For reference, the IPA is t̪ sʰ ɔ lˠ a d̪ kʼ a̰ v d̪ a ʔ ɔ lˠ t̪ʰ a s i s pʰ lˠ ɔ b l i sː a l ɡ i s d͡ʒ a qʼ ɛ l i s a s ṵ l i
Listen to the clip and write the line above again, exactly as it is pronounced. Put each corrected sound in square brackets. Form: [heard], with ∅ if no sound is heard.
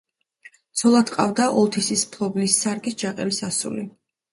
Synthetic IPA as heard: t̪ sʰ ɔ lˠ a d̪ [qʼ] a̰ v d̪ a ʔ ɔ lˠ t̪ʰ [i] s i s pʰ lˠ ɔ b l i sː a [ɾ] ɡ i s d͡ʒ a qʼ ɛ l i s a s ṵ l i